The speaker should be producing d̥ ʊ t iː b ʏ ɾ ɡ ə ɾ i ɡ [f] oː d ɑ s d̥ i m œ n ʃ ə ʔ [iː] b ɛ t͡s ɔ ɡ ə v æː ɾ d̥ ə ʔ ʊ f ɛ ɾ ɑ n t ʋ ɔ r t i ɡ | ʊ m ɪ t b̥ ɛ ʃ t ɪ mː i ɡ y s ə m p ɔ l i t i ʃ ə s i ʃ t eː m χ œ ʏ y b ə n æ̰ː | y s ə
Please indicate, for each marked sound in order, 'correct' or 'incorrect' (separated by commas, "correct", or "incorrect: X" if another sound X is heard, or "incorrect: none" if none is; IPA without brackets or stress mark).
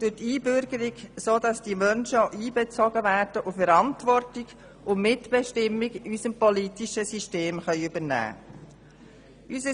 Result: incorrect: s, correct